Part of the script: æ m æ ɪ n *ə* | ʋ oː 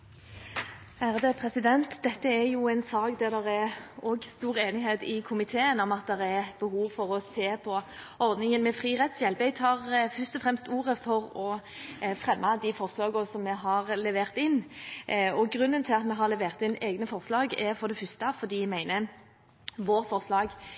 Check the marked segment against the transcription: correct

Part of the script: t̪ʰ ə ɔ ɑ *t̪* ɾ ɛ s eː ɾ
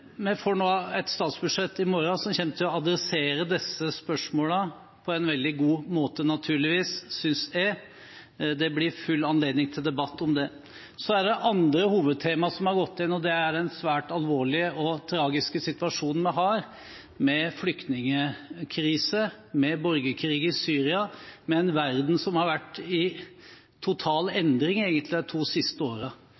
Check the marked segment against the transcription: incorrect: d̪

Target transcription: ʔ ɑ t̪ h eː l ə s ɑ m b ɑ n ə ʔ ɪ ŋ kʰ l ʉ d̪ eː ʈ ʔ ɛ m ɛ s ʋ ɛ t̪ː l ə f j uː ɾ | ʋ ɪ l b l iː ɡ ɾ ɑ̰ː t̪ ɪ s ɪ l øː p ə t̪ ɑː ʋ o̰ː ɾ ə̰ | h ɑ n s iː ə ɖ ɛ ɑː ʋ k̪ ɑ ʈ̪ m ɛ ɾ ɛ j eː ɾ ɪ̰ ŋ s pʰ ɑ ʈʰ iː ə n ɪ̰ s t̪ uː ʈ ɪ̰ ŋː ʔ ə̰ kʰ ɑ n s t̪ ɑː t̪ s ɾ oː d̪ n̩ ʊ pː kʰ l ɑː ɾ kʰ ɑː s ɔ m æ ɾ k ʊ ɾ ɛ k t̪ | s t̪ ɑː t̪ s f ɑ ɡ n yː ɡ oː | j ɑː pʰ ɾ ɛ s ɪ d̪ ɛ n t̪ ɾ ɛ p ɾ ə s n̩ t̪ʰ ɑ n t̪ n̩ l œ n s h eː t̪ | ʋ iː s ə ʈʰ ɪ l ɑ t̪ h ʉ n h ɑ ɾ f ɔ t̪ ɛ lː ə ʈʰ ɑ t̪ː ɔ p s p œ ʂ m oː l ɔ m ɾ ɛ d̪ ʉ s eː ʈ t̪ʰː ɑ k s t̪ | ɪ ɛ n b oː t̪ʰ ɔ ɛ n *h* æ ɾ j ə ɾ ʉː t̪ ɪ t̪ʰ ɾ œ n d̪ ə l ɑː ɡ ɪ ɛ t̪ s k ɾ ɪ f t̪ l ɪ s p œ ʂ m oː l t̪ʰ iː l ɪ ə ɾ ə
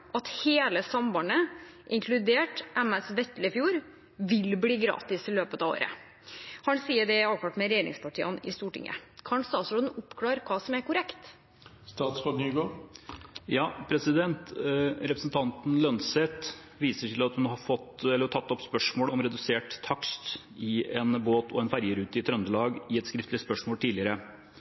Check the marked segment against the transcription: incorrect: f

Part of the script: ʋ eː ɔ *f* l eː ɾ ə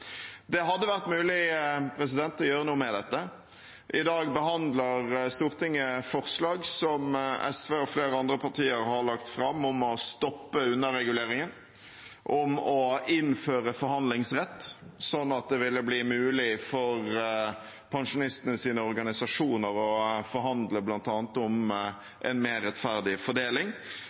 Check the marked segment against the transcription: correct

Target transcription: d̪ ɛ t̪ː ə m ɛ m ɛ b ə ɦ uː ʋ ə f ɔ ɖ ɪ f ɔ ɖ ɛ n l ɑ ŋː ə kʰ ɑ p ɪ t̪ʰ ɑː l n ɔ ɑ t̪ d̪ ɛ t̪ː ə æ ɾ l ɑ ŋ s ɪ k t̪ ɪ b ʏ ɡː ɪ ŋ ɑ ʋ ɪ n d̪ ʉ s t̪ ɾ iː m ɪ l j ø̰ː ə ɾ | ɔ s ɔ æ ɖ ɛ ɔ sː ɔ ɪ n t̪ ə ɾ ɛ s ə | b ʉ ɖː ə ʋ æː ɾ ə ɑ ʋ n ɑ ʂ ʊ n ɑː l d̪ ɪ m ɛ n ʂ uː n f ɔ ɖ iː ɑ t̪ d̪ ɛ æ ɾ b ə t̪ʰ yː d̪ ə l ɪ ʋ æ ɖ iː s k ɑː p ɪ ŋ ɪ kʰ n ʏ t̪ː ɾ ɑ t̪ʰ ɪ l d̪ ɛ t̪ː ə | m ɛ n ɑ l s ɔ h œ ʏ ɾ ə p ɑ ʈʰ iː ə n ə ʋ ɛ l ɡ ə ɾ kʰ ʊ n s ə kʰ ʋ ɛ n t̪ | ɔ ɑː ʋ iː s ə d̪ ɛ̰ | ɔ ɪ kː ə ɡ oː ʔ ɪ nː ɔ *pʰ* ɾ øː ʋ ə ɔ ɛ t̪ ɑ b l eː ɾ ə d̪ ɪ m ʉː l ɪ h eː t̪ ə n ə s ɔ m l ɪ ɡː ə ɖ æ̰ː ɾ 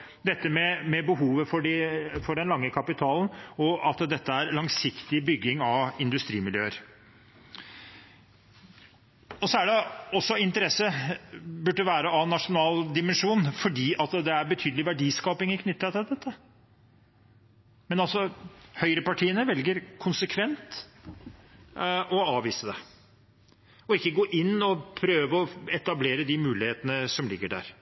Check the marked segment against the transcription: correct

